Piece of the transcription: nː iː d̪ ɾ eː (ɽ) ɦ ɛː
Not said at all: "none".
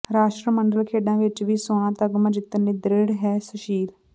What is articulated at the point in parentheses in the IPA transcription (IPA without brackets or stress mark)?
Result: ɽ